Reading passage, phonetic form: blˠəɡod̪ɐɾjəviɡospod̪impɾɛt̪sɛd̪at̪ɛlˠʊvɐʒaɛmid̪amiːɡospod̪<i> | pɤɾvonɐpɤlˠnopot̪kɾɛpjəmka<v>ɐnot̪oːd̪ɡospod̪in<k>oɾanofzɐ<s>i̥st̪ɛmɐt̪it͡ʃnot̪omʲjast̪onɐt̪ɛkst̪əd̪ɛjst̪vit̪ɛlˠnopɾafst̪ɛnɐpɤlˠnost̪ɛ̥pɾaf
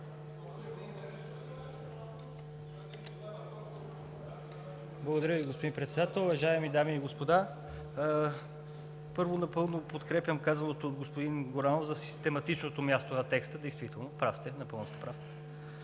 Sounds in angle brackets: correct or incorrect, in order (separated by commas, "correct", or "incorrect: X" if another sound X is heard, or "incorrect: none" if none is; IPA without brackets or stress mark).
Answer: incorrect: a, incorrect: z, incorrect: ɡ, correct